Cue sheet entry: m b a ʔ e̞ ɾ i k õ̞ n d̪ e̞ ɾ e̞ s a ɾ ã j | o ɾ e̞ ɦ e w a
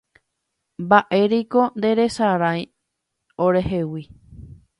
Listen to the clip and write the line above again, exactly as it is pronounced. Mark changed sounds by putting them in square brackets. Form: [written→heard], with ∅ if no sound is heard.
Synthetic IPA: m b a ʔ e̞ ɾ i k [õ̞→o̞] n d̪ e̞ ɾ e̞ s a ɾ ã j | o ɾ e̞ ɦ e w [a→i]